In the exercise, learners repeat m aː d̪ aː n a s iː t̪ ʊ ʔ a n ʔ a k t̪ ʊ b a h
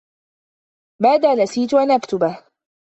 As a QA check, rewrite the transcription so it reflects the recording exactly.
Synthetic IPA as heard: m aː d̪ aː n a s iː t̪ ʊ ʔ a n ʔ a k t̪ ʊ b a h